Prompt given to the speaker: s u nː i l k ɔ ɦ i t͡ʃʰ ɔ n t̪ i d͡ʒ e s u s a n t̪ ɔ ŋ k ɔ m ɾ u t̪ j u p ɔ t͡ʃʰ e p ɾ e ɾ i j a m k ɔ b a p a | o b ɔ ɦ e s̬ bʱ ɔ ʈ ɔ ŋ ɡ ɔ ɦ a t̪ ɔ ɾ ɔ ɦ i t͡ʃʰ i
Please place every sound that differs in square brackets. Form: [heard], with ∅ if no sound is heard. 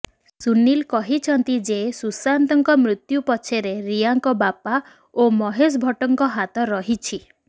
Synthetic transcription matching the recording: s u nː i l k ɔ ɦ i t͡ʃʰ ɔ n t̪ i d͡ʒ e s u s a n t̪ ɔ ŋ k ɔ m ɾ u t̪ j u p ɔ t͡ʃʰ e [∅] ɾ e ɾ i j a [ŋ] k ɔ b a p a | o [m] ɔ ɦ e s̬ bʱ ɔ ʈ ɔ ŋ [k] ɔ ɦ a t̪ ɔ ɾ ɔ ɦ i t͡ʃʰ i